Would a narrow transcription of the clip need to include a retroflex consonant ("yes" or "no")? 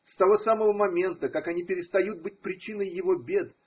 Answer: no